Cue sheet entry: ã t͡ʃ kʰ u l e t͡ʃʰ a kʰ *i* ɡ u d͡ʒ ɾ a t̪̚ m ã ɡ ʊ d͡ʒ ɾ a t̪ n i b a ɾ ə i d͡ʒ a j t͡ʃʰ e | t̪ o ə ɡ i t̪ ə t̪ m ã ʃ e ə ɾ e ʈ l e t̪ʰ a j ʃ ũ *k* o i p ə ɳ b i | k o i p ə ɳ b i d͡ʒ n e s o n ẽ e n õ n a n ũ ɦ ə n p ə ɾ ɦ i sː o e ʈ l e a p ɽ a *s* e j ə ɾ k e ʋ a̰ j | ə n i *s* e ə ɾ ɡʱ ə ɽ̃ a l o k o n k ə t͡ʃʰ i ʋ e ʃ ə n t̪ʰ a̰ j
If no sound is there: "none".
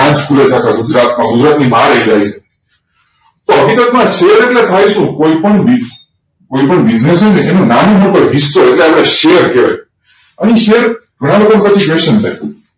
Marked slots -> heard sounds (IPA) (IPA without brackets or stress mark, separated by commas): a, k, ʃ, ʃ